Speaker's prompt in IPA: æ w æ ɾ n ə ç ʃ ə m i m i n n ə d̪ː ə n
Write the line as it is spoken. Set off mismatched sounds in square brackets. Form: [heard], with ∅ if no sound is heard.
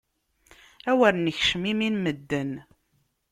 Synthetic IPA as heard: æ w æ ɾ n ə ç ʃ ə m i m i n [m] ə d̪ː ə n